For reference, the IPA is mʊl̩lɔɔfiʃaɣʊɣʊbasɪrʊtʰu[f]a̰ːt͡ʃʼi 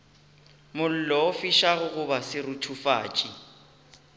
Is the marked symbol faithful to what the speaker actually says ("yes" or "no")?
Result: yes